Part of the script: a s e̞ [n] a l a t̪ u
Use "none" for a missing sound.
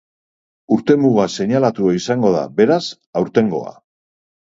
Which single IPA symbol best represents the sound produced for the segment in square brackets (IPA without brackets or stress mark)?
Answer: ɲ